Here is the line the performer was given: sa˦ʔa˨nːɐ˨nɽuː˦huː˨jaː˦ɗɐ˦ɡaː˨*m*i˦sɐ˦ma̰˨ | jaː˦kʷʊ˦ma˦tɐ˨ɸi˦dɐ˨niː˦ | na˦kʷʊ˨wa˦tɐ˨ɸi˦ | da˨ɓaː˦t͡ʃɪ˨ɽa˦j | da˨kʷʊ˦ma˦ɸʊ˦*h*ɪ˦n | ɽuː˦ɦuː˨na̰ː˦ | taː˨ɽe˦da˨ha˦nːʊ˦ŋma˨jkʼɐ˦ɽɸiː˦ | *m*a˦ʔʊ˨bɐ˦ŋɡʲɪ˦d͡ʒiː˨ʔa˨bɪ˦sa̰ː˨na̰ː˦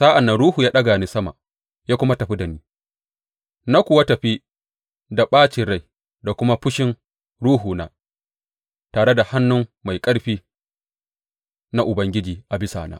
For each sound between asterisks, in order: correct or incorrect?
incorrect: n, incorrect: ʃ, incorrect: n

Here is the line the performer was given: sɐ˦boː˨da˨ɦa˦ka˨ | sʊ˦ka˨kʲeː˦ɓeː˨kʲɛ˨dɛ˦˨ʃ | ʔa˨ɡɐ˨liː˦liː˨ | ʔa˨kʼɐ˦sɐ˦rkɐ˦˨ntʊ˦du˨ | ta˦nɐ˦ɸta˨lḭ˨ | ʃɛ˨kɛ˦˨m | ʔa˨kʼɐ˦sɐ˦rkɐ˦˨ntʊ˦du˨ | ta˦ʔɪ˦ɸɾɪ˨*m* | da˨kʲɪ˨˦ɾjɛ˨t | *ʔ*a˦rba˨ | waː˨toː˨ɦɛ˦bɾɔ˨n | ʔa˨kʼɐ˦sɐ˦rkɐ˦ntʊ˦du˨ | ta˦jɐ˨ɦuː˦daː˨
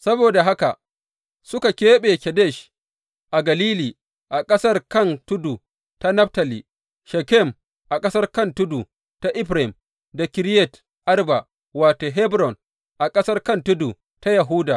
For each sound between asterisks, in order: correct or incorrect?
correct, correct

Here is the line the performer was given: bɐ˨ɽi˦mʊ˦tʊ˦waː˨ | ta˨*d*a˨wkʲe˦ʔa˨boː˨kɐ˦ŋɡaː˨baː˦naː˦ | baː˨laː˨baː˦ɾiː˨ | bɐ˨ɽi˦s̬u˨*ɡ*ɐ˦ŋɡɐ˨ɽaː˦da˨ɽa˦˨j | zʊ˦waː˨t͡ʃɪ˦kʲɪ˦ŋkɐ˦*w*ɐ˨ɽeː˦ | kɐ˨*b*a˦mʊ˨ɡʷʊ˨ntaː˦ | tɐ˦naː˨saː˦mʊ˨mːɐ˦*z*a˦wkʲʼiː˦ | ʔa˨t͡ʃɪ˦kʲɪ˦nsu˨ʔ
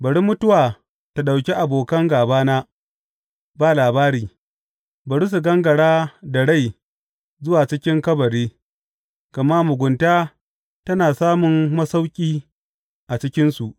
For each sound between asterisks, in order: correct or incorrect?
incorrect: ɗ, correct, incorrect: b, incorrect: m, incorrect: s

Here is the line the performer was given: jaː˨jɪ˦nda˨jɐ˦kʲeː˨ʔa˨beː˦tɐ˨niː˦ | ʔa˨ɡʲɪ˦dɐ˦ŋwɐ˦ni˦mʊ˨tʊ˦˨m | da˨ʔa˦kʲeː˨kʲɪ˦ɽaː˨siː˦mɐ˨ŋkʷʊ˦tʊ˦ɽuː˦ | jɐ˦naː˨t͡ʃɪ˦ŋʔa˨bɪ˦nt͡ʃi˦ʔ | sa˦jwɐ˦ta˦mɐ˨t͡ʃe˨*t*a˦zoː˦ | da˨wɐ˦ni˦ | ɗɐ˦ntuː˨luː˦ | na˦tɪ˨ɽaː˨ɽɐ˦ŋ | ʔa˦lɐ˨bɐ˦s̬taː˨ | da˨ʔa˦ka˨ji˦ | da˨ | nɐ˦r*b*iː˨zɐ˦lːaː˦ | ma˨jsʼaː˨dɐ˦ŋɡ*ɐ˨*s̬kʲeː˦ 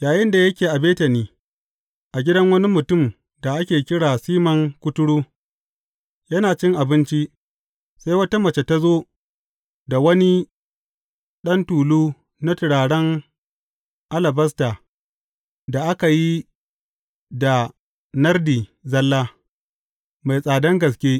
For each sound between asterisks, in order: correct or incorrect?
correct, incorrect: d, correct

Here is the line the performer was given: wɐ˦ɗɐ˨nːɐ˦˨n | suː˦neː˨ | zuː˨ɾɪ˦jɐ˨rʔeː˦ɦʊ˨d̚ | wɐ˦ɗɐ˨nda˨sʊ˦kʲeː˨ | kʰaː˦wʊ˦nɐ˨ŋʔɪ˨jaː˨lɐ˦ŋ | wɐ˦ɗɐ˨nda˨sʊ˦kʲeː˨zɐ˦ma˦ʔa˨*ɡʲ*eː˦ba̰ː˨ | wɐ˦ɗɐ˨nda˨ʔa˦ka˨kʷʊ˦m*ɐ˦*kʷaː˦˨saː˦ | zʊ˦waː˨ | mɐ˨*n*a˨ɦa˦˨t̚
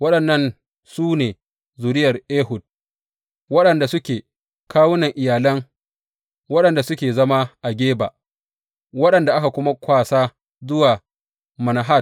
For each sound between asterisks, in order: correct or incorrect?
correct, incorrect: a˦, correct

